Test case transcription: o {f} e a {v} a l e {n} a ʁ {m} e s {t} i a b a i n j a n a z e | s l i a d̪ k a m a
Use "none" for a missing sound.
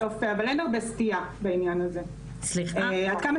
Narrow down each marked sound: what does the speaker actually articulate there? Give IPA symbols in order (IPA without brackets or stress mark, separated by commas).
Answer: f, v, n, b, t